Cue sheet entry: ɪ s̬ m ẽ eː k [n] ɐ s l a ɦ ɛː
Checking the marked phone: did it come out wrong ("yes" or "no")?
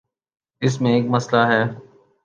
yes